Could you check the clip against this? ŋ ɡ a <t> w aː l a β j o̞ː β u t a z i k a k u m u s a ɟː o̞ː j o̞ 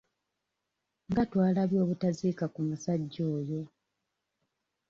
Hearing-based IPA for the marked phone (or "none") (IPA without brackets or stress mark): t